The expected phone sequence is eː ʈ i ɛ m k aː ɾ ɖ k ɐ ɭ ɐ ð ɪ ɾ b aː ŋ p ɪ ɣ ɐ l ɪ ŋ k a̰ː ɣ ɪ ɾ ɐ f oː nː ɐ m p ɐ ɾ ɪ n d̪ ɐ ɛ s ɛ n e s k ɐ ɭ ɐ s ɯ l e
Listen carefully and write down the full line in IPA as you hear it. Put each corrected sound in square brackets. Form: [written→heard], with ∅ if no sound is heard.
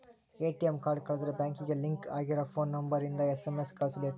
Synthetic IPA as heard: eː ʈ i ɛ m k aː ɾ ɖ k ɐ ɭ ɐ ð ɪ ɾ b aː ŋ [p→k] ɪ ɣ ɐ l ɪ ŋ k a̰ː ɣ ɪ ɾ ɐ f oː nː ɐ m [p→b] ɐ ɾ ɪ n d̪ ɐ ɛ s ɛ [n→m] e s k ɐ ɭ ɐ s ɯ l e